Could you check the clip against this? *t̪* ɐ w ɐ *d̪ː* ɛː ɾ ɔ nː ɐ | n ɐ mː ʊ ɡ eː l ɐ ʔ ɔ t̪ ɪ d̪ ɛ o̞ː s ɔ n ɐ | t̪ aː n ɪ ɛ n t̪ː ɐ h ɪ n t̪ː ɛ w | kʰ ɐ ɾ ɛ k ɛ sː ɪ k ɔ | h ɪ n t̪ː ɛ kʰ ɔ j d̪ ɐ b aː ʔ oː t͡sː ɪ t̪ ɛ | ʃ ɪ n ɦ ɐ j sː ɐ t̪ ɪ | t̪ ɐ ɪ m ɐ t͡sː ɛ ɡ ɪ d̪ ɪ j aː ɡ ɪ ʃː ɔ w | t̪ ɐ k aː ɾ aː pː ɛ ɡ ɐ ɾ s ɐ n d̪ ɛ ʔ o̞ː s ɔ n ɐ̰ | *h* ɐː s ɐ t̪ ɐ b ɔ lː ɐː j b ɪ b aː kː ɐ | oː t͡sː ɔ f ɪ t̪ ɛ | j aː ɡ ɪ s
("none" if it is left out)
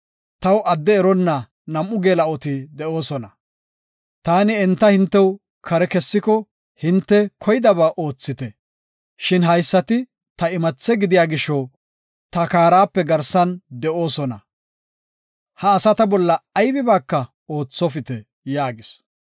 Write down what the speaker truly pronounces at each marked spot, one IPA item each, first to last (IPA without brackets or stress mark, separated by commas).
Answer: t̪, d̪ː, h